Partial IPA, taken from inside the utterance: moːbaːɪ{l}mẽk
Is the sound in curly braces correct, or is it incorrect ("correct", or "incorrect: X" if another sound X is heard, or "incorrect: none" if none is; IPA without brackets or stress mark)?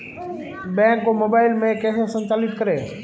correct